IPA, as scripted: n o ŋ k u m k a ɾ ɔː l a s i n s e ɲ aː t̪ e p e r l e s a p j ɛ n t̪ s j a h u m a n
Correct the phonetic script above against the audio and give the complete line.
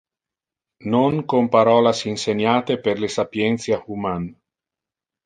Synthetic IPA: n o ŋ k o m p a ɾ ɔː l a s i n s e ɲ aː t̪ e p e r l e s a p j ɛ n t̪ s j a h u m a n